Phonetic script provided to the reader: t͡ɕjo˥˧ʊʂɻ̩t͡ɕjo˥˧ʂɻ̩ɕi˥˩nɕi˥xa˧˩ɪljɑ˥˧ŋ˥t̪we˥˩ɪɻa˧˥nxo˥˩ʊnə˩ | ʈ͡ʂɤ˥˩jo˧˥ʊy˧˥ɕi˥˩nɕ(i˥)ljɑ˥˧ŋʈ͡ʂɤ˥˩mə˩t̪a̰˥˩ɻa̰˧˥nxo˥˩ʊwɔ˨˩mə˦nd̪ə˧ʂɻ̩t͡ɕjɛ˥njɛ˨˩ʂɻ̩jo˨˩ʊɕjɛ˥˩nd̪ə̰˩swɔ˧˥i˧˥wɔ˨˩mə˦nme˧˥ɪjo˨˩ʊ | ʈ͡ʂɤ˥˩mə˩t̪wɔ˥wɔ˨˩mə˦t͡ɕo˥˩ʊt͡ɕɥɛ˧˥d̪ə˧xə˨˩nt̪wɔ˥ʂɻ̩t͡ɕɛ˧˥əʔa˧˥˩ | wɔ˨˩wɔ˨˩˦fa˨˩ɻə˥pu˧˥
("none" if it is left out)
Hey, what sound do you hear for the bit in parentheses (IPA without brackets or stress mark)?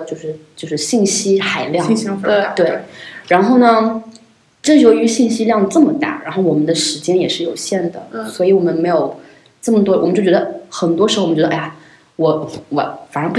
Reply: i˥